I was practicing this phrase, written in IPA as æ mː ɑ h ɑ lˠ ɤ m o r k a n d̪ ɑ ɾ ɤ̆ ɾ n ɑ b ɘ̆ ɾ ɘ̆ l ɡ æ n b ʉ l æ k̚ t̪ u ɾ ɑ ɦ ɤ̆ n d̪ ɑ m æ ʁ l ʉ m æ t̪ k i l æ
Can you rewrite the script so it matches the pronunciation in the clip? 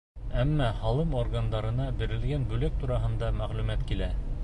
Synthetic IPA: æ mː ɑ h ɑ lˠ ɤ m o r ɡ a n d̪ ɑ ɾ ɤ̆ n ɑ b ɘ̆ ɾ ɘ̆ l ɡ æ n b ʉ l æ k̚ t̪ u ɾ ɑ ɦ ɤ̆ n d̪ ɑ m æ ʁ l ʉ m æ t̪ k i l æ